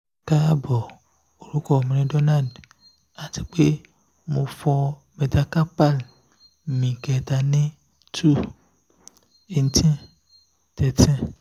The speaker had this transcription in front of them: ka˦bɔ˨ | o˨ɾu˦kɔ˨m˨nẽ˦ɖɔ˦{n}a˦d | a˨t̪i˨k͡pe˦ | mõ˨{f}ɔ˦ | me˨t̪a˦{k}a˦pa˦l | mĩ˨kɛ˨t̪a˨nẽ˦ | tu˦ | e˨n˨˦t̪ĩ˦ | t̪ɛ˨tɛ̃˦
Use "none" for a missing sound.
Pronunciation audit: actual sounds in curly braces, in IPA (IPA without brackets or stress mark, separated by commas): n, f, k